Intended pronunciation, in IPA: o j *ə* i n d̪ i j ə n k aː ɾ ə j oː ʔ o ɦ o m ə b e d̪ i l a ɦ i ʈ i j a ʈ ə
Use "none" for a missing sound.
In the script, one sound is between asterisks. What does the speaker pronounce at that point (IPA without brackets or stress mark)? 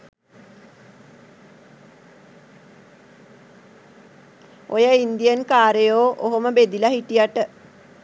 ə